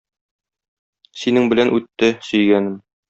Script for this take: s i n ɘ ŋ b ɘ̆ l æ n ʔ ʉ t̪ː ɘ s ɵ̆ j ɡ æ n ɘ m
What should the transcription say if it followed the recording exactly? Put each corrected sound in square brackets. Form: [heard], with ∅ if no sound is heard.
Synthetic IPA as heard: s i n ɘ ŋ b ɘ̆ l æ n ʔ ʉ t̪ː ɘ s ɵ̆ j ɡ æ n ɘ m

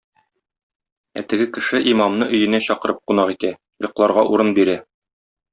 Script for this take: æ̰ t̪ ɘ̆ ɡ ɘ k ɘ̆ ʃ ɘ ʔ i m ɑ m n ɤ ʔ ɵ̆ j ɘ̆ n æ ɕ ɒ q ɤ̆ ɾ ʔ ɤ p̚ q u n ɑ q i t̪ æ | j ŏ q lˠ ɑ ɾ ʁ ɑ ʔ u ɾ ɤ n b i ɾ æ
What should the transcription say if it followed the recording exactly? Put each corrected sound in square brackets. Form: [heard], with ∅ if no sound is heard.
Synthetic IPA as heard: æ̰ t̪ ɘ̆ ɡ ɘ k ɘ̆ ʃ ɘ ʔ i m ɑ m n ɤ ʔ ɵ̆ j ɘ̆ n æ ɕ ɒ q ɤ̆ ɾ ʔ ɤ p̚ q u n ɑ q i t̪ æ | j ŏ q lˠ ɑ ɾ ʁ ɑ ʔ u ɾ ɤ n b i ɾ æ

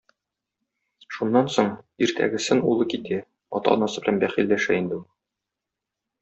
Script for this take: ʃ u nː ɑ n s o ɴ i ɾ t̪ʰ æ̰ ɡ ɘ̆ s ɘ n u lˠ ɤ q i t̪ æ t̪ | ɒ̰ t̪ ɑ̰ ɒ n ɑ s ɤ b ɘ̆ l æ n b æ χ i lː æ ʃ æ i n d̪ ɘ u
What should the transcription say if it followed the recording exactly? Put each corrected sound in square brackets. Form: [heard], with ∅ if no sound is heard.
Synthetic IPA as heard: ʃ u nː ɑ n s o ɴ i ɾ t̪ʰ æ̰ ɡ ɘ̆ s ɘ n u lˠ ɤ [k] i t̪ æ [∅] | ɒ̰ t̪ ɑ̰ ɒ n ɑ s ɤ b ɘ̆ l æ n b æ χ i lː æ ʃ æ i n d̪ ɘ u

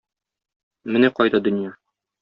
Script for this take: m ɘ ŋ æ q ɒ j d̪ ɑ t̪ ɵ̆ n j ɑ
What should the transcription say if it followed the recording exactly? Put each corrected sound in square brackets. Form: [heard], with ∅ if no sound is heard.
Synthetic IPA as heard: m ɘ [n] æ q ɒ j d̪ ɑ [d̪] ɵ̆ n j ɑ

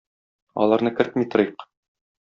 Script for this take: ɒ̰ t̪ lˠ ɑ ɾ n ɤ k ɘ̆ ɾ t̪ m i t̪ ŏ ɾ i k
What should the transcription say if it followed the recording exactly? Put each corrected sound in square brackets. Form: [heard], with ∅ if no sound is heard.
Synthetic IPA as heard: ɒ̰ [∅] lˠ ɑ ɾ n ɤ k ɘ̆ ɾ t̪ m i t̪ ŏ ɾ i [q]

